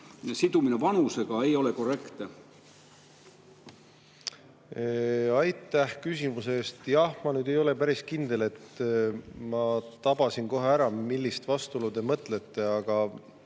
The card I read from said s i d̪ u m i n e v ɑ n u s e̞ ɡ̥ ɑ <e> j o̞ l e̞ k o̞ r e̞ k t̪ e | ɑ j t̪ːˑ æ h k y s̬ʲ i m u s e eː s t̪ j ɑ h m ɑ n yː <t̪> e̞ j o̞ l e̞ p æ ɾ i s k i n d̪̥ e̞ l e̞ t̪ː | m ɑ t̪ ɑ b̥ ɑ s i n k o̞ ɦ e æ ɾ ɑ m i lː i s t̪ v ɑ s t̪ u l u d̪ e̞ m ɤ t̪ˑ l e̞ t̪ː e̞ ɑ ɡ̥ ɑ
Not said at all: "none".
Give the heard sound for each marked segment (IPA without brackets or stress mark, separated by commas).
e, d̪